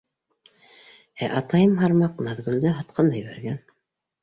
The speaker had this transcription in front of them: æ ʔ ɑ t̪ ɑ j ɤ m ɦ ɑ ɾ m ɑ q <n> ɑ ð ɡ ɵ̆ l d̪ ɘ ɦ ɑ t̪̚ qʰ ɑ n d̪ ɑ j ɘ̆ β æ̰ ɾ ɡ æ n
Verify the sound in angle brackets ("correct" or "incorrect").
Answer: correct